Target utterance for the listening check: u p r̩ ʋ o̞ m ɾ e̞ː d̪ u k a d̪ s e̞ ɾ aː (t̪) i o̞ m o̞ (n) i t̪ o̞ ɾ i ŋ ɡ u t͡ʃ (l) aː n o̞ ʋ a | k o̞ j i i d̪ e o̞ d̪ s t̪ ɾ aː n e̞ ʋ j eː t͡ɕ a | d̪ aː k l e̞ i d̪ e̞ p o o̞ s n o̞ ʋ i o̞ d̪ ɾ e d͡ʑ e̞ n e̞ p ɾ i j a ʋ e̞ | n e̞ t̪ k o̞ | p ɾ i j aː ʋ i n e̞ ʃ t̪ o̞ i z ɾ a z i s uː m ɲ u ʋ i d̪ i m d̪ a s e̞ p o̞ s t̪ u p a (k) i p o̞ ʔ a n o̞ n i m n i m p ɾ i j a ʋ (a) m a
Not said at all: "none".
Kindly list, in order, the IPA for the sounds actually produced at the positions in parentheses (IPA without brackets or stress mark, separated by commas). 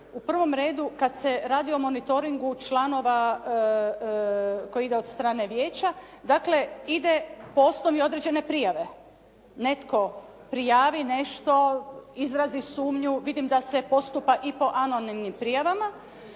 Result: d̪, n, l, ʔ, a